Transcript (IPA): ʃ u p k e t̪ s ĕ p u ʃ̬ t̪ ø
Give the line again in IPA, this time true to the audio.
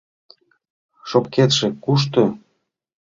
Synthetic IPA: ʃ o p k e t̪ ʃ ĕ k u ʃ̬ t̪ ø